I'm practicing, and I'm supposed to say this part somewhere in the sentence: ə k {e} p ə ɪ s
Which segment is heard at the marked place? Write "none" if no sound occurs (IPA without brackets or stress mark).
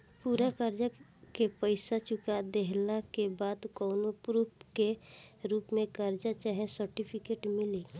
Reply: e